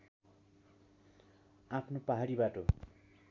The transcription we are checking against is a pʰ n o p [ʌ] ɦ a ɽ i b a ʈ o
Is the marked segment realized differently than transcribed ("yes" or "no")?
yes